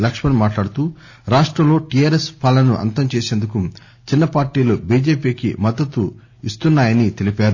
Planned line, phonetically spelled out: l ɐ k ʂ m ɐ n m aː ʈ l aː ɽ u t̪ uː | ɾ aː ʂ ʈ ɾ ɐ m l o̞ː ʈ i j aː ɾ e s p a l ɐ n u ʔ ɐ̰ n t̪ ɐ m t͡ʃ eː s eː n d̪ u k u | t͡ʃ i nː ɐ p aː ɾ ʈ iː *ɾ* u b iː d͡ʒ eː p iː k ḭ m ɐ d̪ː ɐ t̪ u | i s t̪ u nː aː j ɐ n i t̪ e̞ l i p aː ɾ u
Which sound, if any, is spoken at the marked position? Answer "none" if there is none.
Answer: l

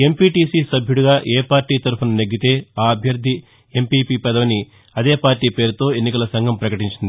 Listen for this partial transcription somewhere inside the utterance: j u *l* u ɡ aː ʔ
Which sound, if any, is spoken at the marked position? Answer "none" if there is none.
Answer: ɽ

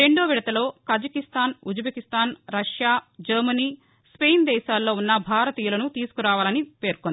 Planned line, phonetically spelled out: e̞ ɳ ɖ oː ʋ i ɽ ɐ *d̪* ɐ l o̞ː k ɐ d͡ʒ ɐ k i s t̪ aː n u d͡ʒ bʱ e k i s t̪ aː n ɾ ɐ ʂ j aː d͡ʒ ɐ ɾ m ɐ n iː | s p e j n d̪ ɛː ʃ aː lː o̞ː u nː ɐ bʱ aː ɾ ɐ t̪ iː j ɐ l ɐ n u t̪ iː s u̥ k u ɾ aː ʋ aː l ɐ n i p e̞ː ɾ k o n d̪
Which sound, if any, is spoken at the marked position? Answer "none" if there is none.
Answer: t̪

